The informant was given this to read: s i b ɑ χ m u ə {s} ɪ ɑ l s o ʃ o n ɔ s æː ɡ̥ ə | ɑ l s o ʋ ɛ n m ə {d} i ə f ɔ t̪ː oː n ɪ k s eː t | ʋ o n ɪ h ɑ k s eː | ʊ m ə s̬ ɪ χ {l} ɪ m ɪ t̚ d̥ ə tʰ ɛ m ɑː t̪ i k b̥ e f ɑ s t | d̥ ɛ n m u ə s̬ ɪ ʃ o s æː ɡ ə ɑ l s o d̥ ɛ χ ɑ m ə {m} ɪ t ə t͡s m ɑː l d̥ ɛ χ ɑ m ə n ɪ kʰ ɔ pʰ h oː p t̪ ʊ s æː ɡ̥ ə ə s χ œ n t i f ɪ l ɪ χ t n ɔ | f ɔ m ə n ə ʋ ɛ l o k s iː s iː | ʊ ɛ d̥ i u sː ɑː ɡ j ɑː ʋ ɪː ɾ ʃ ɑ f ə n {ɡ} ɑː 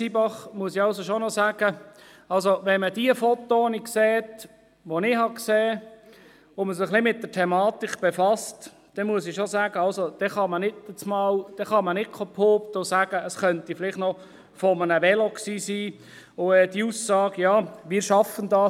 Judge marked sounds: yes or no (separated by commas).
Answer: yes, yes, yes, no, no